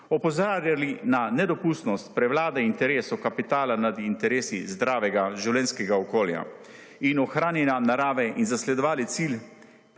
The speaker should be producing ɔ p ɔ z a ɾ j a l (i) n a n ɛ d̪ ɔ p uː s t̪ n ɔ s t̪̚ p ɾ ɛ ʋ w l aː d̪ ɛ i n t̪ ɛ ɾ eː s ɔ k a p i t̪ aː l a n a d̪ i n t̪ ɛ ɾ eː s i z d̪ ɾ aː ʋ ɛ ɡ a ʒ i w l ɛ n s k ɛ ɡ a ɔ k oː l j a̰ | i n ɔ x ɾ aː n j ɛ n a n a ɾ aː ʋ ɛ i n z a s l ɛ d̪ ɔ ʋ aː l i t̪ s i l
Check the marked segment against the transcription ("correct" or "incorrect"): correct